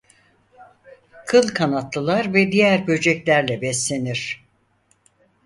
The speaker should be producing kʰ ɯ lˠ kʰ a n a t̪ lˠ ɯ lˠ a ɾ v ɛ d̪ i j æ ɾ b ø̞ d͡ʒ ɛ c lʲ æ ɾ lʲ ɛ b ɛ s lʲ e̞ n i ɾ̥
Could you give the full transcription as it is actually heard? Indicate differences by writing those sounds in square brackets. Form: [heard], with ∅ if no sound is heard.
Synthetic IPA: kʰ ɯ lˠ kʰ a n a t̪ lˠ ɯ lˠ a ɾ v ɛ d̪ i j æ ɾ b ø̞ d͡ʒ ɛ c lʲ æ ɾ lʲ ɛ b ɛ s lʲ e̞ n i ɾ̥